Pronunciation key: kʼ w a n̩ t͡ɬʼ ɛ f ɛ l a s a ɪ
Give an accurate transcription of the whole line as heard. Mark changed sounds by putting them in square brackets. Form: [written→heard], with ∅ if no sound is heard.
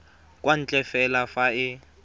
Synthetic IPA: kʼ w a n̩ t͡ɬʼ ɛ f ɛ l a [s→f] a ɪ